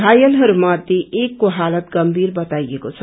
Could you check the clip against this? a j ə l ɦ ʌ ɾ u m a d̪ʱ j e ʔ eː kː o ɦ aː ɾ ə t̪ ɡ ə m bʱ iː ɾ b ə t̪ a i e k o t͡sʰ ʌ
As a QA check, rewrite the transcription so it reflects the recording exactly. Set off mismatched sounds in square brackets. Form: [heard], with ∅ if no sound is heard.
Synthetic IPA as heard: a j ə l ɦ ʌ ɾ u m a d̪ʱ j e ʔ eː kː o ɦ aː [l] ə t̪ ɡ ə m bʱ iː ɾ b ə t̪ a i e k o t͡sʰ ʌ